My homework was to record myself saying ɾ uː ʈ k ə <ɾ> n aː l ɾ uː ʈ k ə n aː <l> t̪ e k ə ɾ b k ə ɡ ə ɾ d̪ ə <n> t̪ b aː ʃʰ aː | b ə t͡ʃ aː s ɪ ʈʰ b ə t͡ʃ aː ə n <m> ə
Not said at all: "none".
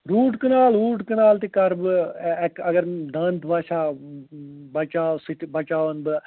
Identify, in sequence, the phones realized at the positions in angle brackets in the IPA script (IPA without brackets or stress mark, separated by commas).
none, l, n, b